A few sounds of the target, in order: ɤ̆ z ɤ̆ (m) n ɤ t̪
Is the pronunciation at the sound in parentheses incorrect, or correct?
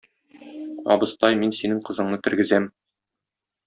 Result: incorrect